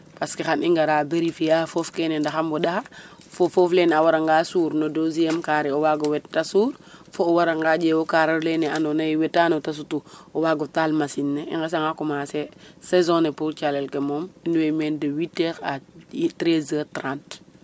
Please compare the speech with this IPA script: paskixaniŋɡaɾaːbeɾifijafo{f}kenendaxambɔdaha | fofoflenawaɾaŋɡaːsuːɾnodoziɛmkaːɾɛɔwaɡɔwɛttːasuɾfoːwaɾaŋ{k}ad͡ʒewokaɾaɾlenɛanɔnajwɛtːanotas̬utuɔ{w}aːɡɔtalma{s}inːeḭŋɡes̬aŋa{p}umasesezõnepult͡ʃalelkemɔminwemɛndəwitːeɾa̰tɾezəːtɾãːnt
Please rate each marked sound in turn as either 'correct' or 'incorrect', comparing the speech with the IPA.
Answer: correct, incorrect, correct, correct, incorrect

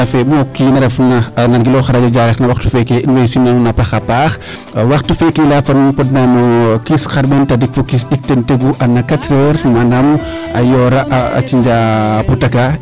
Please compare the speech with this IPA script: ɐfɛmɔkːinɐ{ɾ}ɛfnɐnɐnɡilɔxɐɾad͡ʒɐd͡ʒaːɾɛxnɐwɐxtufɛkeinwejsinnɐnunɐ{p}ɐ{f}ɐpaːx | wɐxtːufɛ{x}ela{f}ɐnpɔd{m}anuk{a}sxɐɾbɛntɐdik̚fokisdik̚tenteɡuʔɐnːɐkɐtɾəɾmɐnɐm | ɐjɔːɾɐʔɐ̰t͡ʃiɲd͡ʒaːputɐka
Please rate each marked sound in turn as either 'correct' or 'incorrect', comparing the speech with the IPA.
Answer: correct, correct, incorrect, incorrect, correct, incorrect, incorrect

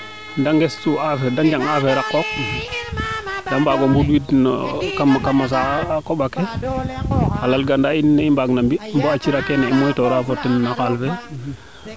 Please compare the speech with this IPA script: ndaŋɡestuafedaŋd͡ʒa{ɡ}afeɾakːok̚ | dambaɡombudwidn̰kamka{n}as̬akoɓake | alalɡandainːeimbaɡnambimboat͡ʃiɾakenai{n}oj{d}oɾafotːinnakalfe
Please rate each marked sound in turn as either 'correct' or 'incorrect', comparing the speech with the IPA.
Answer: incorrect, incorrect, incorrect, incorrect

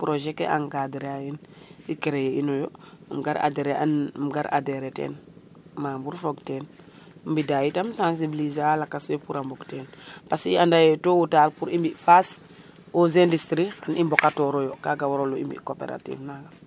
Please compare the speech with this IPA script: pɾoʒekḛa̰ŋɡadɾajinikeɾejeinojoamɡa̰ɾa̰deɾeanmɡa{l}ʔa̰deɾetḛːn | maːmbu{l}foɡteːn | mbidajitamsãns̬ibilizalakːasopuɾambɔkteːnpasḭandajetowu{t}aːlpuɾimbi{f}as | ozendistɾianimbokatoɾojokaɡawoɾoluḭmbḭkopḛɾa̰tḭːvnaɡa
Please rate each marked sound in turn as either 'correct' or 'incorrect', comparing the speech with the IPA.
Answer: incorrect, incorrect, correct, correct

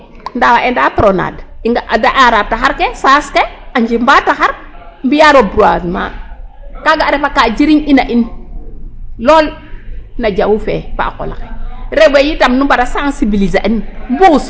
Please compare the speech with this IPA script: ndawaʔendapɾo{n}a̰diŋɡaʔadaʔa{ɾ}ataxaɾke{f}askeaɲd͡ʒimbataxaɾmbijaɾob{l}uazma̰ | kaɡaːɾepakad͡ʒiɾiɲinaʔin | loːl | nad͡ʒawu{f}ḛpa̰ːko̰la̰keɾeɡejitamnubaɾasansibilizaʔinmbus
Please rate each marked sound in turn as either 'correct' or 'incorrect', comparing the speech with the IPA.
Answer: correct, correct, incorrect, incorrect, correct

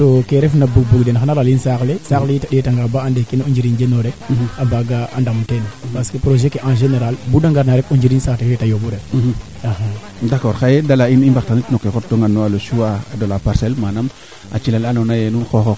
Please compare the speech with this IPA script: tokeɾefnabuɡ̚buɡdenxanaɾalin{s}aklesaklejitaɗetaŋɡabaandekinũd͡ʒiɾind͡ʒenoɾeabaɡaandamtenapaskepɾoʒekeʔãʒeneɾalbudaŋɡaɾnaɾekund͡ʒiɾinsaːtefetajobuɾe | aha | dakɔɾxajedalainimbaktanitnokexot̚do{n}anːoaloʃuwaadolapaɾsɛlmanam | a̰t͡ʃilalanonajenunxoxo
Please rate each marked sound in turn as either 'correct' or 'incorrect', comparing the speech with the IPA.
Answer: correct, incorrect

